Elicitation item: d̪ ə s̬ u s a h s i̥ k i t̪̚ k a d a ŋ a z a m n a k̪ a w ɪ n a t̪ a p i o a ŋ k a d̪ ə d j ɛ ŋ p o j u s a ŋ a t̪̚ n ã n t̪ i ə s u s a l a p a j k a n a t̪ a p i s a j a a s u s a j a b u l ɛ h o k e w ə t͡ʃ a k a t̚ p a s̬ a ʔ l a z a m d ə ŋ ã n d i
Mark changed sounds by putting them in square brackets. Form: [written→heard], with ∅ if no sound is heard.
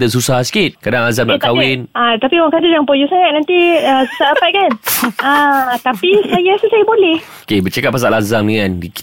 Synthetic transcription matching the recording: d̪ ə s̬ u s a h s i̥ k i t̪̚ k a d a ŋ a z a m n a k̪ a w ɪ n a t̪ a p i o a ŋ k a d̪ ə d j [ɛ→a] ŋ p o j u s a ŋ a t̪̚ n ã n t̪ i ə s u s a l a p a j k a n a t̪ a p i s a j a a s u s a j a b [u→o] l ɛ h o k e [w→b] ə t͡ʃ a k a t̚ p a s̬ a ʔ l a z a m d ə ŋ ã n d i